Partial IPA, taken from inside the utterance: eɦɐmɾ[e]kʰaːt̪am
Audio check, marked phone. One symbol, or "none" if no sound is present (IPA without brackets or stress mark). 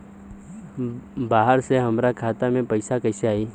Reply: a